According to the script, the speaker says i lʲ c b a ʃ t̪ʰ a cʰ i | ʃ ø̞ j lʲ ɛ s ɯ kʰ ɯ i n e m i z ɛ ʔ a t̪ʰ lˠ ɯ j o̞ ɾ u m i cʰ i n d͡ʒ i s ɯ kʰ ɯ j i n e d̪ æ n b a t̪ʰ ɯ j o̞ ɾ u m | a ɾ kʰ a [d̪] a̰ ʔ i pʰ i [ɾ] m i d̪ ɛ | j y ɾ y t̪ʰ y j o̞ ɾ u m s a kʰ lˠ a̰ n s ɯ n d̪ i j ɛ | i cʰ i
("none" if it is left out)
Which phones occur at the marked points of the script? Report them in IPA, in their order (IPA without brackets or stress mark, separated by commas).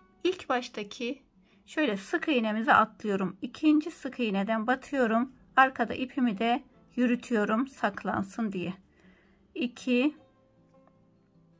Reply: d̪, none